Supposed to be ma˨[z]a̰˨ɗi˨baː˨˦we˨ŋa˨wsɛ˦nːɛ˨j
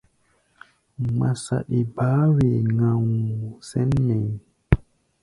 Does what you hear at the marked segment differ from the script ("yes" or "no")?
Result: yes